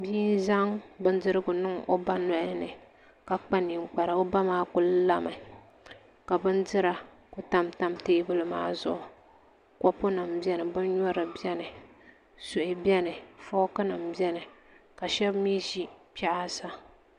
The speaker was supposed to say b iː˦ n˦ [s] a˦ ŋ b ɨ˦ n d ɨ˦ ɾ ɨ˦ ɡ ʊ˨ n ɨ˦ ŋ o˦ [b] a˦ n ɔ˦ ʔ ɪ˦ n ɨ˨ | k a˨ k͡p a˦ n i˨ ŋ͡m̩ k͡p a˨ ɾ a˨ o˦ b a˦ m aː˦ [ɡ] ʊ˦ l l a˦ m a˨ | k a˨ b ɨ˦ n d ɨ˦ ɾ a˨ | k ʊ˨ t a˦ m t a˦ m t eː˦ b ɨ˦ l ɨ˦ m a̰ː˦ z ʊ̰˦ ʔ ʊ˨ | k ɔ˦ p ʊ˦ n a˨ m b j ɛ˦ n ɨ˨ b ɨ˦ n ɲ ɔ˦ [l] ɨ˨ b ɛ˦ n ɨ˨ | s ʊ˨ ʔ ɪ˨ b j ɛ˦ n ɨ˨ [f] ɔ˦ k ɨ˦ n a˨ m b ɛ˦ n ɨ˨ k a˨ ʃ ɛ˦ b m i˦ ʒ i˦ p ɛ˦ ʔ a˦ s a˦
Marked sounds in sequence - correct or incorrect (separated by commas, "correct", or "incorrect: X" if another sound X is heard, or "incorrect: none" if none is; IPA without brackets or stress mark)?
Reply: incorrect: z, correct, incorrect: k, incorrect: ɾ, correct